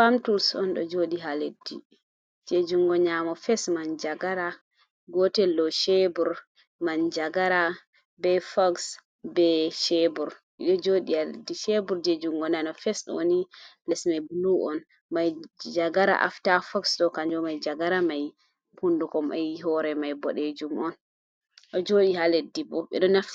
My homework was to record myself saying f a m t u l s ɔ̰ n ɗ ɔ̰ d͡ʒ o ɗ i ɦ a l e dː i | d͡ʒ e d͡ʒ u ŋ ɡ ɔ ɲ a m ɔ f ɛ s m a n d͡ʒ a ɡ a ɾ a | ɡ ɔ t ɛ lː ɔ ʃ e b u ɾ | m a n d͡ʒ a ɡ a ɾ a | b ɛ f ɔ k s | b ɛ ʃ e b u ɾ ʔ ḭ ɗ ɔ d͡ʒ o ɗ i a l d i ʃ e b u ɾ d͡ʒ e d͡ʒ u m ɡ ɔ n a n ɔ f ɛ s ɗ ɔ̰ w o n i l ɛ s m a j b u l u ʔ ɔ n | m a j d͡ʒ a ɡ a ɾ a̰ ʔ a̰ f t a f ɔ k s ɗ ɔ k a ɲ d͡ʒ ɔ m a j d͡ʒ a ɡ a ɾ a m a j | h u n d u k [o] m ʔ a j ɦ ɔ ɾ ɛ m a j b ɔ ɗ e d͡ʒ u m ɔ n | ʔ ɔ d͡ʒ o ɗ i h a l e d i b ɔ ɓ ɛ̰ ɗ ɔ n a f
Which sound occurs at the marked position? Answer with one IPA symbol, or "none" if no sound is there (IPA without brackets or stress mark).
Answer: ɔ